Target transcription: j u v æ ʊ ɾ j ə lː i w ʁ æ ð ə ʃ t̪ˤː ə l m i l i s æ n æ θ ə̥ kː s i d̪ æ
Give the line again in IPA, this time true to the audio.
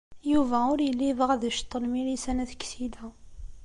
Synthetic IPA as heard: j u v æ ʊ ɾ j ə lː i v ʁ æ ð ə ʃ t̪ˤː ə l m i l i s æ n æ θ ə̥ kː s i d̪ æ